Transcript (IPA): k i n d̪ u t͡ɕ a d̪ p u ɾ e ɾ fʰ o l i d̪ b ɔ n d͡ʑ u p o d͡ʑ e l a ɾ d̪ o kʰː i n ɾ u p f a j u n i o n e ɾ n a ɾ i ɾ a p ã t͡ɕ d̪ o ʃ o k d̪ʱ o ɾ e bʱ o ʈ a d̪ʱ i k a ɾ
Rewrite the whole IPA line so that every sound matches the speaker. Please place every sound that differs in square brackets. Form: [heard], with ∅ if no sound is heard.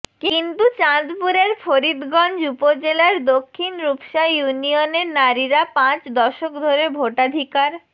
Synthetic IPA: k i n [t̪] u t͡ɕ a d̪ p u ɾ e ɾ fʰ o [ɾ] i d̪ [ɡ] ɔ n d͡ʑ u p o d͡ʑ e l a ɾ d̪ o kʰː i n ɾ u p [ʃ] a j u n i o n e ɾ n a ɾ i ɾ a p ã t͡ɕ d̪ [ɔ] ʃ o k d̪ʱ o ɾ e bʱ o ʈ a d̪ʱ i k a ɾ